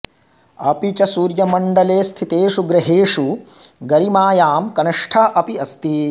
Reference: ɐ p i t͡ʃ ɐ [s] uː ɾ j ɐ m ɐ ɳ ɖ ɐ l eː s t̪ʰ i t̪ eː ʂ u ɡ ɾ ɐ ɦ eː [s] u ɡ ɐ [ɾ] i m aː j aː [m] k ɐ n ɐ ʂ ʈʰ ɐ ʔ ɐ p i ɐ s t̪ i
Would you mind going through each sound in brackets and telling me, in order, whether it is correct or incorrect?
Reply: correct, incorrect, correct, correct

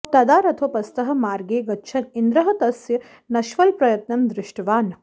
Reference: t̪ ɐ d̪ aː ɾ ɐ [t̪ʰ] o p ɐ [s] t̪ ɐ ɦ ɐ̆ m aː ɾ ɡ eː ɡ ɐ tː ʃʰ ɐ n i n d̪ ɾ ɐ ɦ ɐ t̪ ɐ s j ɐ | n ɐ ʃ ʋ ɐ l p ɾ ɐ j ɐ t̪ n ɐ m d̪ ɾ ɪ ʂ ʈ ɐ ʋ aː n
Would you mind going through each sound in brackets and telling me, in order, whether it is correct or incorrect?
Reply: correct, correct

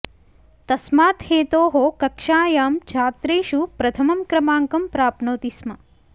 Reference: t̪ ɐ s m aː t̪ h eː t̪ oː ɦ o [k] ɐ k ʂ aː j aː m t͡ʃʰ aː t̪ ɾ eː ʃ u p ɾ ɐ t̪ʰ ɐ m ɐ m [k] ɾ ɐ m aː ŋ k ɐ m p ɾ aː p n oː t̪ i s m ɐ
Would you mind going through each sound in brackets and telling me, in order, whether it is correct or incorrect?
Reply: correct, correct

